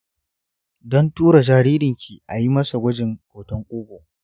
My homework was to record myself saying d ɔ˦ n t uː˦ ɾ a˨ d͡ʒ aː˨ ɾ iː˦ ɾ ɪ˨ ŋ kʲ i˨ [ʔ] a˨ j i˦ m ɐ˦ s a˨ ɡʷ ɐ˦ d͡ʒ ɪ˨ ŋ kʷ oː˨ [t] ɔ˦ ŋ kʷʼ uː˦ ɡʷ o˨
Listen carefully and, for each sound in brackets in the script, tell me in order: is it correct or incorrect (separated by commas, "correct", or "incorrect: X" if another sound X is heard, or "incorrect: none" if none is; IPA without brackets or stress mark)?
correct, correct